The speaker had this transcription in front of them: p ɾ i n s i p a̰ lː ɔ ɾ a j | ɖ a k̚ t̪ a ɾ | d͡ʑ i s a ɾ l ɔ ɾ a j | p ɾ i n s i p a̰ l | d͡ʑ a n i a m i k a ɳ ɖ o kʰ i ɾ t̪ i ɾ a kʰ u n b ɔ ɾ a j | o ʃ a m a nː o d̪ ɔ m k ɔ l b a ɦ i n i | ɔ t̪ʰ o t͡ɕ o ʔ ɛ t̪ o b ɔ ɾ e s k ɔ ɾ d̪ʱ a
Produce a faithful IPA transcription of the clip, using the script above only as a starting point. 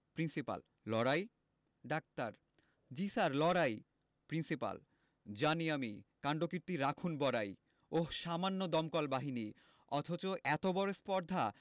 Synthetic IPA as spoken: p ɾ i n s i p a̰ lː ɔ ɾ a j | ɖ a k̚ t̪ a ɾ | d͡ʑ i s a ɾ l ɔ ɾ a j | p ɾ i n s i p a̰ l | d͡ʑ a n i a m i k a ɳ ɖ o k i ɾ t̪ i ɾ a kʰ u n b ɔ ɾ a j | o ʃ a m a nː o d̪ ɔ m k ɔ l b a ɦ i n i | ɔ t̪ʰ o t͡ɕ o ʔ ɛ t̪ o b ɔ ɾ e s p ɔ ɾ d̪ʱ a